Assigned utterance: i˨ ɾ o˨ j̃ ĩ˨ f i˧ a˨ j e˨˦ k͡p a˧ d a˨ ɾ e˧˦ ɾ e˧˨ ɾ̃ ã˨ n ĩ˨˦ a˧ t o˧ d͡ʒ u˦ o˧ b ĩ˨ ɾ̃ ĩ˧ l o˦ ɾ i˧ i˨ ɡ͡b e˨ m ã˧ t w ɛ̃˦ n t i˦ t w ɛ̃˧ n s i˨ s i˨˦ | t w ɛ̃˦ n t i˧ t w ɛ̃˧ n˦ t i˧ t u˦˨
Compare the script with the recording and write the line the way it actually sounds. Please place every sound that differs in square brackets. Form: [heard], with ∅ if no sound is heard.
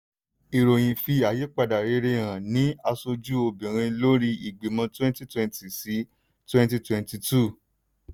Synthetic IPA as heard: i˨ ɾ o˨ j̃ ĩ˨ f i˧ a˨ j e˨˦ k͡p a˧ d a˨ ɾ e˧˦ ɾ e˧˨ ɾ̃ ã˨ n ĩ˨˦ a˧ [s] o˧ d͡ʒ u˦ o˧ b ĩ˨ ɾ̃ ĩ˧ l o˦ ɾ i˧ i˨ ɡ͡b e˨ m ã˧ t w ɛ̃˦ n t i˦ t w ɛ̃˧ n [t] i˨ s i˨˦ | t w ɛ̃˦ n t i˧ t w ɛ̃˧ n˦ t i˧ t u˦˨